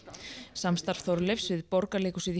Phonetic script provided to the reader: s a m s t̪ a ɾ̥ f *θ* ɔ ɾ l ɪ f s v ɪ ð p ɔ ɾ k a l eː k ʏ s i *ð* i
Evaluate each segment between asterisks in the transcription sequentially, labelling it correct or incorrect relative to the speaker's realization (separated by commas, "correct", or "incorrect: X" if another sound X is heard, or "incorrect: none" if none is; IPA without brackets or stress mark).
correct, correct